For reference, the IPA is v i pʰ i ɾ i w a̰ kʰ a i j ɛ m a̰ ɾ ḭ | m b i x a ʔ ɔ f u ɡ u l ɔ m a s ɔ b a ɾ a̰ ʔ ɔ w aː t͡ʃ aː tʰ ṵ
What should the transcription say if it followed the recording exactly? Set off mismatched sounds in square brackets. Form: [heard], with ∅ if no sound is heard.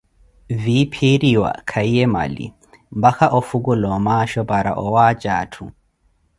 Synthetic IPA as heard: v i pʰ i ɾ i w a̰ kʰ a i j ɛ m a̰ [l] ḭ | m b [a] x a ʔ ɔ f u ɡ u l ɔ m a [ʃ] ɔ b a ɾ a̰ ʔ ɔ w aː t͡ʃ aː tʰ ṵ